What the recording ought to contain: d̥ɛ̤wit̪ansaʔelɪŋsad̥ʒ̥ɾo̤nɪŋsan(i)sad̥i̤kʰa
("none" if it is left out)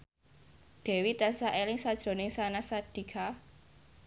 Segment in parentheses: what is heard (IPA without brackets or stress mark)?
a